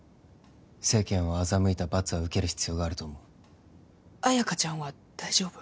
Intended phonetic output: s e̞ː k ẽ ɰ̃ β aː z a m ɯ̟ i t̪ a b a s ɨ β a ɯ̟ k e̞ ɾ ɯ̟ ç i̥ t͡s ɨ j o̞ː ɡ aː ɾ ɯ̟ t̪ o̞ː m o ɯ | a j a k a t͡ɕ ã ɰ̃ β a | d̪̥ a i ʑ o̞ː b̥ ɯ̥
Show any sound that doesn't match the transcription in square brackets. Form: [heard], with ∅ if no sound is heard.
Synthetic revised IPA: s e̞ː k ẽ ɰ̃ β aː z a m ɯ̟ i t̪ a b a [t͡s] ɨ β a ɯ̟ k e̞ ɾ ɯ̟ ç i̥ t͡s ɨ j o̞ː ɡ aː ɾ ɯ̟ t̪ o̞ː m o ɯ | a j a k a t͡ɕ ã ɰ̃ β a | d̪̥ a i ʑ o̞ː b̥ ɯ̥